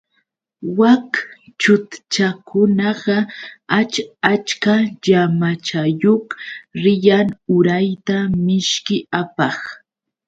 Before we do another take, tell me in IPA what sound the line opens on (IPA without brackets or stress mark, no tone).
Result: w